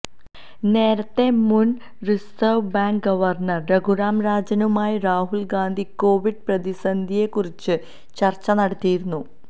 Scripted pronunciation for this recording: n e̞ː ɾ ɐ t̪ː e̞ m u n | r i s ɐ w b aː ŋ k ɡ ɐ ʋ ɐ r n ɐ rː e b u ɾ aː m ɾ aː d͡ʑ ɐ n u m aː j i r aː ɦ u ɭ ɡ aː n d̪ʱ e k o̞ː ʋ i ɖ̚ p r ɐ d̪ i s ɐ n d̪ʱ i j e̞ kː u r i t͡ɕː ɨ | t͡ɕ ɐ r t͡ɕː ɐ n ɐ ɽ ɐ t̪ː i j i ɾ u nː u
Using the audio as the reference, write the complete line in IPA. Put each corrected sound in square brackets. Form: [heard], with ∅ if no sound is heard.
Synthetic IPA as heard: n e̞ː ɾ ɐ t̪ː e̞ m u n | r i s ɐ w b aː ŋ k ɡ ɐ ʋ ɐ r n ɐ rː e [ɡ] u ɾ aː m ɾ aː d͡ʑ ɐ n u m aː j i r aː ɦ u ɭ ɡ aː n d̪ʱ [i] k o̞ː ʋ i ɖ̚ p r ɐ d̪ i s ɐ n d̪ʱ i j e̞ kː u r i t͡ɕː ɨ | t͡ɕ ɐ r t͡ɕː ɐ n ɐ ɽ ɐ t̪ː i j i ɾ u nː u